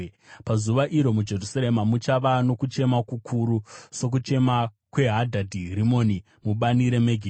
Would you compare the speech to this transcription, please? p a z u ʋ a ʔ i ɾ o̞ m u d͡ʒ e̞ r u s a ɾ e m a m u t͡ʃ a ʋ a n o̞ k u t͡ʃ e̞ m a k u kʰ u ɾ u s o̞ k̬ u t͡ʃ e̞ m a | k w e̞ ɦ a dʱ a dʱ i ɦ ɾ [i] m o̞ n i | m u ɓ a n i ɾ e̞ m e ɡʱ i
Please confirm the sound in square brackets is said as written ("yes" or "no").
yes